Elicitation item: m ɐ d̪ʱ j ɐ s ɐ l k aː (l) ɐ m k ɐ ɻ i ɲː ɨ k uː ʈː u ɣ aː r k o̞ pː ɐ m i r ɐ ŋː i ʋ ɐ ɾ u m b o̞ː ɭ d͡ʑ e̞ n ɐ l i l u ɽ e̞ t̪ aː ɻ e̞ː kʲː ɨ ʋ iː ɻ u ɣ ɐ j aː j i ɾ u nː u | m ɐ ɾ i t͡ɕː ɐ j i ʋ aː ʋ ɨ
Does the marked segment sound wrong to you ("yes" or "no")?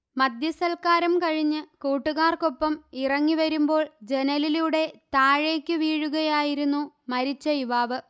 yes